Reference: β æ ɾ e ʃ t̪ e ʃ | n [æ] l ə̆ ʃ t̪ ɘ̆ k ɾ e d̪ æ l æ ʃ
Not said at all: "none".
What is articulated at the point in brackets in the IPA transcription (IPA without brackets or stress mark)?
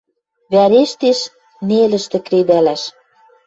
e